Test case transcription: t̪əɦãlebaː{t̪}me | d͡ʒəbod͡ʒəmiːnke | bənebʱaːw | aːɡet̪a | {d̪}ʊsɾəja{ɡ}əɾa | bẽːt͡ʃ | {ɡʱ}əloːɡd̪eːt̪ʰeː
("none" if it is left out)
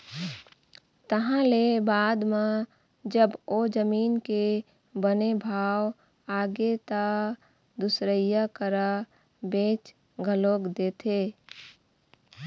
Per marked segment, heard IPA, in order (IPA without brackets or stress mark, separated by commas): d̪, d̪, k, ɡʱ